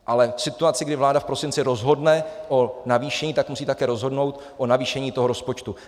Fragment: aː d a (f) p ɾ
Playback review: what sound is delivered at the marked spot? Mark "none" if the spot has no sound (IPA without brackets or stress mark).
f